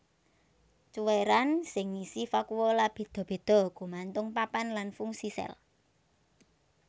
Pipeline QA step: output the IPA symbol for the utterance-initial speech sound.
t͡ʃ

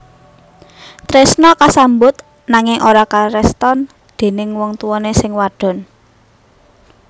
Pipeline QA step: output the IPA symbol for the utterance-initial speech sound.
t̪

